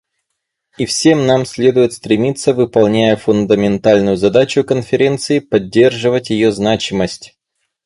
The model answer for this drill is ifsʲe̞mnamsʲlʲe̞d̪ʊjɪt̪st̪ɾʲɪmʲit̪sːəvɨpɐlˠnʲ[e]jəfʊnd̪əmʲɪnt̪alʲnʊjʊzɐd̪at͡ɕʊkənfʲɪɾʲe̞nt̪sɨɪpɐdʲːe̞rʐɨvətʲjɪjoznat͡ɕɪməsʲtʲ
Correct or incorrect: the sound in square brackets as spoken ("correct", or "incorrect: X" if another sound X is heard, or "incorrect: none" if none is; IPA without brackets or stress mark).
incorrect: æ